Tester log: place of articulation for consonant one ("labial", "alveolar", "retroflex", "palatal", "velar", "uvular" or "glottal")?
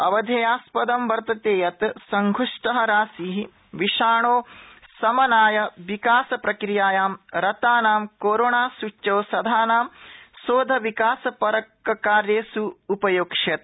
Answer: labial